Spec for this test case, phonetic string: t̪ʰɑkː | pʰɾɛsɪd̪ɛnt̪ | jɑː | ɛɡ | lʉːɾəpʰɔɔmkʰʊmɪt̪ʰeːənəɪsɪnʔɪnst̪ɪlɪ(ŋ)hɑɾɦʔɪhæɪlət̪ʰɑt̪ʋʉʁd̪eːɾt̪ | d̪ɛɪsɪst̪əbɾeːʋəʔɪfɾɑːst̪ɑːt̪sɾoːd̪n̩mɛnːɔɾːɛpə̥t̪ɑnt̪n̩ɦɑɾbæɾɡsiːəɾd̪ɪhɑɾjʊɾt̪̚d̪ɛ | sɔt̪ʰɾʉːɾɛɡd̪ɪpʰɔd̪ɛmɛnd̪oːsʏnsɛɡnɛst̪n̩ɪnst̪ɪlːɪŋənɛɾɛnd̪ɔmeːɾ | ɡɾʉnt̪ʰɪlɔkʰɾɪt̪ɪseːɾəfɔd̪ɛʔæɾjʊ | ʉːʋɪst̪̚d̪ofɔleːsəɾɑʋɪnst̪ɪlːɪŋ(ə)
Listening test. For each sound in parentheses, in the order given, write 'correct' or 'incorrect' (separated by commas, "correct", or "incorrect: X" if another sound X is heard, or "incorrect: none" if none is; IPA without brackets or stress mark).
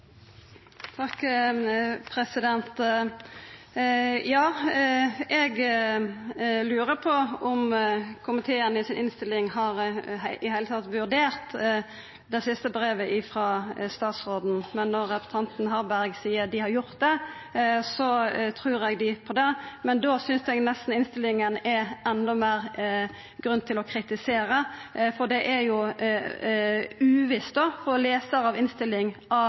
correct, incorrect: ɑ